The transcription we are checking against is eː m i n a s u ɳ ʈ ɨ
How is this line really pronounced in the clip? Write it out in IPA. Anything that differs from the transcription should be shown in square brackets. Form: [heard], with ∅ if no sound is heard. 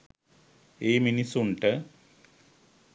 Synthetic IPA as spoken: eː m i n [i] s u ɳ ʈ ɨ